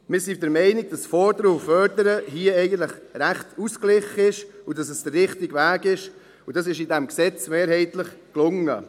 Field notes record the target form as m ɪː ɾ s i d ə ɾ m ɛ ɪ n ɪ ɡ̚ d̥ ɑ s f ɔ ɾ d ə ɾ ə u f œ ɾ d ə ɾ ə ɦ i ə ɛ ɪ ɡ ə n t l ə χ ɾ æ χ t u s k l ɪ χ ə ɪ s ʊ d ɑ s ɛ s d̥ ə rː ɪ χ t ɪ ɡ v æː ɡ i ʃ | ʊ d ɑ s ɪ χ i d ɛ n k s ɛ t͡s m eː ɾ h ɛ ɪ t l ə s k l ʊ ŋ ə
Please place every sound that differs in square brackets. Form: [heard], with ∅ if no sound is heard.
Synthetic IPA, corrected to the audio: m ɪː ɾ s i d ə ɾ m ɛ ɪ n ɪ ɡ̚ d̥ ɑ s f ɔ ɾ d ə ɾ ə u f œ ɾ d ə ɾ ə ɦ i ə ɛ ɪ ɡ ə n t l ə χ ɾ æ χ t u s k l ɪ χ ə ɪ [ʃ] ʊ d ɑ s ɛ s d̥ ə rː ɪ χ t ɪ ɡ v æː ɡ [ɪ] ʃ | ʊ d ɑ s ɪ [ʃ] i d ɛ [m] k s ɛ t͡s m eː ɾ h ɛ ɪ t l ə [χ] k l ʊ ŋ ə